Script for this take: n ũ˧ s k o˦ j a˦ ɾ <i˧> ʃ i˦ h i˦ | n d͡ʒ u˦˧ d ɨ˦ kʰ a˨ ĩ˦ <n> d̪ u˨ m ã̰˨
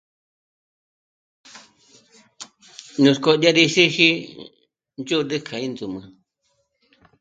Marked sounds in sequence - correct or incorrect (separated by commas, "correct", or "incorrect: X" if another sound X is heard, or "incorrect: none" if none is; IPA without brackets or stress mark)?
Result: correct, correct